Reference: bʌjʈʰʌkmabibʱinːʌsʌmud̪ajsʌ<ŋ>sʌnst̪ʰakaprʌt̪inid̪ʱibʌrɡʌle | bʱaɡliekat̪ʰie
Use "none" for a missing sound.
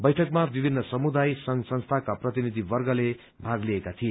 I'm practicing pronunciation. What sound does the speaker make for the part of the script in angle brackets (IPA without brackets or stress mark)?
ŋ